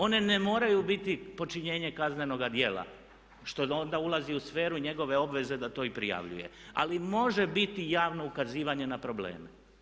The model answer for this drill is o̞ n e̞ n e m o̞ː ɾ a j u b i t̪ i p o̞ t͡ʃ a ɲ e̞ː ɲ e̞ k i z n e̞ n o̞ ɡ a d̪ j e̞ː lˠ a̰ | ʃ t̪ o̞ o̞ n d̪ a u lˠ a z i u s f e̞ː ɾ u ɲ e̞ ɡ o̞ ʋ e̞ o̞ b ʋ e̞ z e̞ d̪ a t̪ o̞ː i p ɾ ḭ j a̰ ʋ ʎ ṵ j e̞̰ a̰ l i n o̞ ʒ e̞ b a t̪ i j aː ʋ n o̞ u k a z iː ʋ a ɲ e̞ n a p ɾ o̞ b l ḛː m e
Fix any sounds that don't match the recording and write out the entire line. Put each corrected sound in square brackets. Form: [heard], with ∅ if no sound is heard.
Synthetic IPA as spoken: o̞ n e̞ n e m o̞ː ɾ a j u b i t̪ i p o̞ t͡ʃ [i] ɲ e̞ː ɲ e̞ k [a] z n e̞ n o̞ ɡ a d̪ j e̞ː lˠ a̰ | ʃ t̪ o̞ o̞ n d̪ a u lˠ a z i u s f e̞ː ɾ u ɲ e̞ ɡ o̞ ʋ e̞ o̞ b ʋ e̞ z e̞ d̪ a t̪ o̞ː i p ɾ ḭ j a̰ ʋ ʎ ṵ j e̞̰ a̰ l i [m] o̞ ʒ e̞ b [i] t̪ i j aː ʋ n o̞ u k a z iː ʋ a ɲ e̞ n a p ɾ o̞ b l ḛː m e